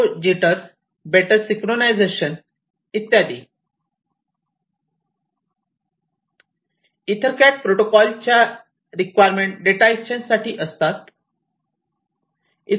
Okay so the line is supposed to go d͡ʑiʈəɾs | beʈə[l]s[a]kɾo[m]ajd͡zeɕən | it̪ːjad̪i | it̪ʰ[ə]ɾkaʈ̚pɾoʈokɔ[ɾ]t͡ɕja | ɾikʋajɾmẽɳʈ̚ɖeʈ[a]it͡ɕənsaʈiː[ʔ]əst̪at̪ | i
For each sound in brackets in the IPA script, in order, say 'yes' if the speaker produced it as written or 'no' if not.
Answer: no, no, no, yes, no, yes, yes

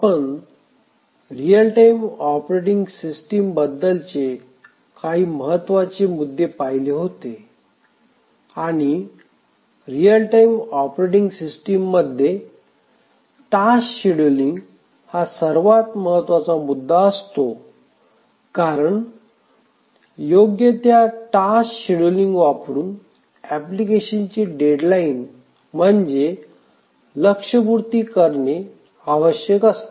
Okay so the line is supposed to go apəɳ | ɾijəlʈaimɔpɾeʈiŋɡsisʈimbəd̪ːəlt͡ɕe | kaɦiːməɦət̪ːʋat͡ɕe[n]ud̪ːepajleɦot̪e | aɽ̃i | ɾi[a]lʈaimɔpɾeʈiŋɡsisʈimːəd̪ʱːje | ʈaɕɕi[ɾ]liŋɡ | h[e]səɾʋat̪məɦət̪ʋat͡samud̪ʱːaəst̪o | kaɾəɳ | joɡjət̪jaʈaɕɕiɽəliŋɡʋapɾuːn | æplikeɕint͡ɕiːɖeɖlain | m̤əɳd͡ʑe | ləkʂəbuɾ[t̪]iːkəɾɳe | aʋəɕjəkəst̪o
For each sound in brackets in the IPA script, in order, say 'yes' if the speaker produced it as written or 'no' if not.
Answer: no, no, no, no, yes

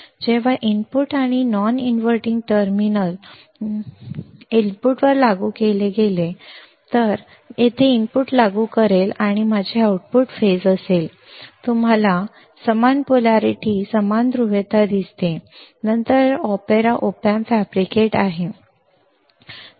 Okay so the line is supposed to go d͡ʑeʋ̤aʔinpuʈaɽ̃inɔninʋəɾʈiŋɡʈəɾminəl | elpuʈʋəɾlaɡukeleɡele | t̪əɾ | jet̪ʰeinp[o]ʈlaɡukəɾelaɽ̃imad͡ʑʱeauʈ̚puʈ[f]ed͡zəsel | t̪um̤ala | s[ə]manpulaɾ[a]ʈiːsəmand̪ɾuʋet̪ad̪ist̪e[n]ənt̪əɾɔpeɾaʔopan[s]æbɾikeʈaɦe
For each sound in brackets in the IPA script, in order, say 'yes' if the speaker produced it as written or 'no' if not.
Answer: no, yes, yes, no, yes, no

